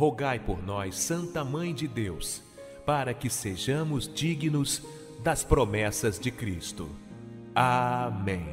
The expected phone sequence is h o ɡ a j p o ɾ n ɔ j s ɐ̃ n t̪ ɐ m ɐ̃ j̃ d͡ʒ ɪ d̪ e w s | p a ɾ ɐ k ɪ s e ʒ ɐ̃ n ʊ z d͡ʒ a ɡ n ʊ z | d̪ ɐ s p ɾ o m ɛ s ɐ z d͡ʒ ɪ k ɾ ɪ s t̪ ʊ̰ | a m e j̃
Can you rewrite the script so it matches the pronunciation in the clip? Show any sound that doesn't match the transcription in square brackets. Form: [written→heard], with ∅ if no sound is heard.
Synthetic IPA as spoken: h o ɡ a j p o ɾ n ɔ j s ɐ̃ n t̪ ɐ m ɐ̃ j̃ d͡ʒ ɪ d̪ e w s | p a ɾ ɐ k ɪ s e ʒ ɐ̃ [n→m] ʊ z d͡ʒ [a→i] ɡ n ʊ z | d̪ ɐ s p ɾ o m ɛ s ɐ z d͡ʒ ɪ k ɾ [ɪ→i] s t̪ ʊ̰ | a m [e→ẽ] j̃